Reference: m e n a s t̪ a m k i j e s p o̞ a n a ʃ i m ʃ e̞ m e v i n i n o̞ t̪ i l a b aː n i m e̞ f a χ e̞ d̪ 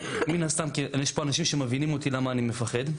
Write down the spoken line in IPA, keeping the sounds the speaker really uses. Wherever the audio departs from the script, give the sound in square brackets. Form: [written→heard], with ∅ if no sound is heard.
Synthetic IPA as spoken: m [e→i] n a s t̪ a m k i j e [s→ʃ] p o̞ a n a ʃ i m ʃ e̞ m e v i n i [n→m] o̞ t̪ i l a [b→m] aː n i m e̞ f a χ e̞ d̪